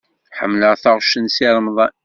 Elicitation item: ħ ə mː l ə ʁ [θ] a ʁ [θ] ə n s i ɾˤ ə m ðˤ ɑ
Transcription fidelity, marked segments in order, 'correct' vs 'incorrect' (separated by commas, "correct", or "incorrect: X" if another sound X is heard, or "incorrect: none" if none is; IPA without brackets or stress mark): correct, incorrect: ʃ